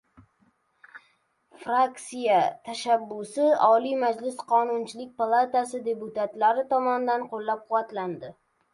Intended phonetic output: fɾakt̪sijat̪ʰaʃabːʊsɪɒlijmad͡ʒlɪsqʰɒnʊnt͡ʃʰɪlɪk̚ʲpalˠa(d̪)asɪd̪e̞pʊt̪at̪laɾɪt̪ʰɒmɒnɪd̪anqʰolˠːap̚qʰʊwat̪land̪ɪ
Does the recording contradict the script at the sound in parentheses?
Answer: yes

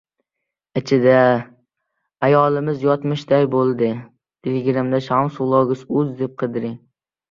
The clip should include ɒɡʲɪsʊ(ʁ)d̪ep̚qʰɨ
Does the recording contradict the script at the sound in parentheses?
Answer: yes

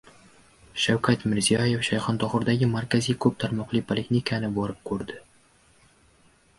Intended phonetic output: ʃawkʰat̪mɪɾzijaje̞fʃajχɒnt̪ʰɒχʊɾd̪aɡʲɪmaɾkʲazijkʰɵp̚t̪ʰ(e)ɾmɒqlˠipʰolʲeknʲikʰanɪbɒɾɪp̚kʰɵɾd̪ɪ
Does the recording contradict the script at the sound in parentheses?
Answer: yes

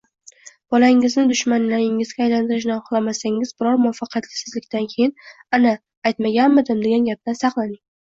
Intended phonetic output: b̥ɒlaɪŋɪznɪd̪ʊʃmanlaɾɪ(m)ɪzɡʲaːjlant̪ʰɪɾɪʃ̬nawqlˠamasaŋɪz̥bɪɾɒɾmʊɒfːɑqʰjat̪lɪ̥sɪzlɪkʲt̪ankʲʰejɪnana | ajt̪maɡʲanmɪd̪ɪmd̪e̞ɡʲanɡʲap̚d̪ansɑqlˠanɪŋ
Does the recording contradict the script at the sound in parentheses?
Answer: yes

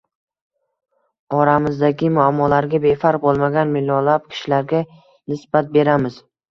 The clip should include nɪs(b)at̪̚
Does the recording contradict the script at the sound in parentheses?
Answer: no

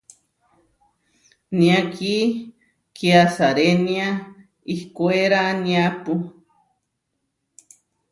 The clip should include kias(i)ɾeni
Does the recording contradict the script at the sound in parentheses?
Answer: yes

